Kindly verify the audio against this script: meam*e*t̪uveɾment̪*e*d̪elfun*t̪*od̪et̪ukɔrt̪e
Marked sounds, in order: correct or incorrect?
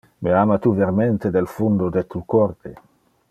incorrect, correct, incorrect

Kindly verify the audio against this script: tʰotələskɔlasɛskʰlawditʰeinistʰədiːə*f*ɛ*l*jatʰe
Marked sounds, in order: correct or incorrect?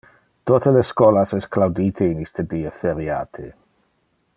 correct, incorrect

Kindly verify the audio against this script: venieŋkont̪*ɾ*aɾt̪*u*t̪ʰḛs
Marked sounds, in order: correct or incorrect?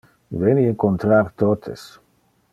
correct, incorrect

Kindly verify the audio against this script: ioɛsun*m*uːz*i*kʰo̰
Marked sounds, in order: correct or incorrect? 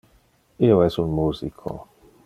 correct, correct

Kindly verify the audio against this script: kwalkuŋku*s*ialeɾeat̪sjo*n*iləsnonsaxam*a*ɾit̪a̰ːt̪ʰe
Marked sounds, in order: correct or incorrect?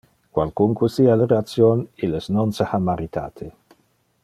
correct, correct, correct

